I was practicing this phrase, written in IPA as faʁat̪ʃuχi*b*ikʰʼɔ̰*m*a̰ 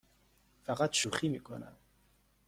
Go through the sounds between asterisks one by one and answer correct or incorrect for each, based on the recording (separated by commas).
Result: incorrect, incorrect